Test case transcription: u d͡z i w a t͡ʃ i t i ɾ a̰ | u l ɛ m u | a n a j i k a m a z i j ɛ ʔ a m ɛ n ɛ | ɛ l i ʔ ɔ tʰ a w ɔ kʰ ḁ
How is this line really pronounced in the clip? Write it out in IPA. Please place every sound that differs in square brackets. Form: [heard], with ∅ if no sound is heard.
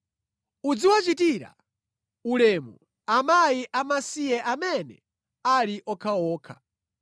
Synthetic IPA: u d͡z i w a t͡ʃ i t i ɾ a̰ | u l ɛ m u | a [m] a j i [ʔ] a m a [s] i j ɛ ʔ a m ɛ n ɛ | [a] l i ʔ ɔ [kʰ] a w [ɔː] kʰ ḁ

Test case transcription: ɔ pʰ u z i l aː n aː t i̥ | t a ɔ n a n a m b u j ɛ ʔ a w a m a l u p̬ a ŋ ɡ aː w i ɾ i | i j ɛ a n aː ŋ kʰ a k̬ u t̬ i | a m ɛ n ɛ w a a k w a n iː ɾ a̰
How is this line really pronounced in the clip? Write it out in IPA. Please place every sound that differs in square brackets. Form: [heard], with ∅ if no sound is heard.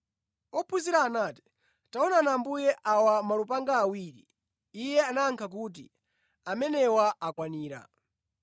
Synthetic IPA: ɔ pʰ u z i [ɾ] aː n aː t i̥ | t a ɔ n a n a m b u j ɛ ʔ a w a m a l u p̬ a ŋ ɡ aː w i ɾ i | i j ɛ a n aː ŋ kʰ a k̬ u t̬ i | a m ɛ n ɛ w a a k w a n iː ɾ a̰

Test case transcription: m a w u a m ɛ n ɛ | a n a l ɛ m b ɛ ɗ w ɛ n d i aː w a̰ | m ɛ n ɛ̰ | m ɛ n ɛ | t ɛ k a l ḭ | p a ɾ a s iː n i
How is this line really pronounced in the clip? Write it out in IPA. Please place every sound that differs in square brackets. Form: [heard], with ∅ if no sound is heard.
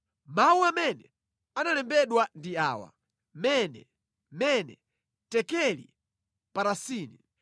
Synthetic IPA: m a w u a m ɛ n ɛ | a n a l ɛ m b ɛ ɗ w [a] n d i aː w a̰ | m ɛ n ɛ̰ | m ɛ n ɛ | t ɛ k [ɛ] l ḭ | p a ɾ a s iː n i

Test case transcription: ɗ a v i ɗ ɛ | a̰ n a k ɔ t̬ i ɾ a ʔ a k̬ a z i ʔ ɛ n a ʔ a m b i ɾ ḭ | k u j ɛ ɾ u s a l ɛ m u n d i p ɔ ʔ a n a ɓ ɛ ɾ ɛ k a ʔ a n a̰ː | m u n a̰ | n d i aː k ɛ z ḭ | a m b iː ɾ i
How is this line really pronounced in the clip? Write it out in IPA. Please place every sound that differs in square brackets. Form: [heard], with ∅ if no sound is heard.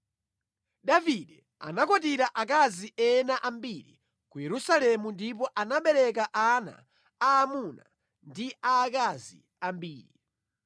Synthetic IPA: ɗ a v i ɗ ɛ | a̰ n a k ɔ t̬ i ɾ a ʔ a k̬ a z i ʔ ɛ n a ʔ a m b i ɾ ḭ | k u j ɛ ɾ u s a l ɛ m u n d i p ɔ ʔ a n a ɓ ɛ ɾ ɛ k a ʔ a n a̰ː | m u n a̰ | n d i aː k [a] z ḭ | a m b iː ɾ i

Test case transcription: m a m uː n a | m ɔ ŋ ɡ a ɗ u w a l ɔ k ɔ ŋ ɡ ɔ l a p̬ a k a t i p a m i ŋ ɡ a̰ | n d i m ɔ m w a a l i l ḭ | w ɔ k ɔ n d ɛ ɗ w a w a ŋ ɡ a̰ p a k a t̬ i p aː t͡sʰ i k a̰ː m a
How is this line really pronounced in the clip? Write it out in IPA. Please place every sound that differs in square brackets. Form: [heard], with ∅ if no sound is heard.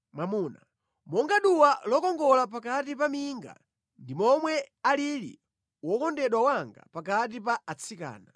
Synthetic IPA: m a m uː n a | m ɔ ŋ ɡ a ɗ u w a l ɔ k ɔ ŋ ɡ ɔ l a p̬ a k a t i p a m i ŋ ɡ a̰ | n d i m ɔ m w [ɛ] a l i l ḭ | w ɔ k ɔ n d ɛ ɗ w a w a ŋ ɡ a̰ p a k a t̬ i p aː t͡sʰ i k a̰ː [n] a

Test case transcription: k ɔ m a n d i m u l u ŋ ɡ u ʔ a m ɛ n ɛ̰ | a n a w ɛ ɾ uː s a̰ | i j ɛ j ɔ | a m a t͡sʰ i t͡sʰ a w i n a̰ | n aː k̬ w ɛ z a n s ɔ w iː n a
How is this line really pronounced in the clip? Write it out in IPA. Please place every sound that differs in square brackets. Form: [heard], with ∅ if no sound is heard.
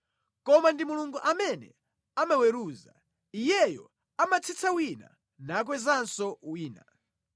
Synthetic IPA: k ɔ m a n d i m u l u ŋ ɡ u ʔ a m ɛ n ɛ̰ | a [m] a w ɛ ɾ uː [z] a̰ | i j ɛ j ɔ | a m a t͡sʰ i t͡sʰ a w i n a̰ | n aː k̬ w ɛ z a n s ɔ w iː n a

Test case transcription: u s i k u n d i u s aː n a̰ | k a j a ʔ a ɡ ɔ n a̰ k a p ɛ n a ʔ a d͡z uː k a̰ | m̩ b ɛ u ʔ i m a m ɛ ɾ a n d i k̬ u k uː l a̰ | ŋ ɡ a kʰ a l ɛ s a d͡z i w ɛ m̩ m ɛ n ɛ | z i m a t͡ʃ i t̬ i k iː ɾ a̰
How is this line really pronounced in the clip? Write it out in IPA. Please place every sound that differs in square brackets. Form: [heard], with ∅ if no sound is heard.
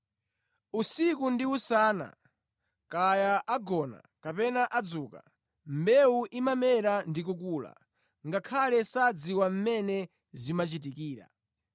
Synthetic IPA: u s i k u n d i u s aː n a̰ | k a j a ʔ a ɡ ɔ n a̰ k a p ɛ n a ʔ a d͡z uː k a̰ | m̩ b ɛ u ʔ i m a m ɛ ɾ a n d i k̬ u k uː l a̰ | ŋ ɡ a kʰ a l ɛ s a d͡z i w [a] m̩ m ɛ n ɛ | z i m a t͡ʃ i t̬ i k iː ɾ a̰

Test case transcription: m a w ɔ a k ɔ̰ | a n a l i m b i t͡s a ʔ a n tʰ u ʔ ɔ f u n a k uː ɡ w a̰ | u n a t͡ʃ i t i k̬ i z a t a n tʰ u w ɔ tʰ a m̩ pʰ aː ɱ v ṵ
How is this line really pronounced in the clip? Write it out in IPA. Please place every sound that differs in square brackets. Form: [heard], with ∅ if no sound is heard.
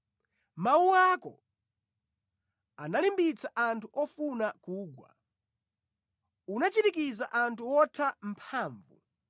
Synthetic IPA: m a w [u] a k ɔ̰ | a n a l i m b i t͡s a ʔ a n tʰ u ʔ ɔ f u n a k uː ɡ w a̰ | u n a t͡ʃ i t i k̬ i z a [ʔ] a n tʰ u w ɔ tʰ a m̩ pʰ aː ɱ v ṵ

